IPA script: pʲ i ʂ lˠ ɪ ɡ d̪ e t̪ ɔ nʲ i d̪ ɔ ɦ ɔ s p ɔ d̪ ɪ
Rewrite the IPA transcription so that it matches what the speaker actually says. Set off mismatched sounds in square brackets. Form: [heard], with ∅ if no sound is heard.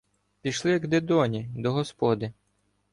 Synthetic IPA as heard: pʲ i [ʃ] lˠ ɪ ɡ d̪ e [d̪] ɔ nʲ i d̪ ɔ ɦ ɔ s p ɔ d̪ ɪ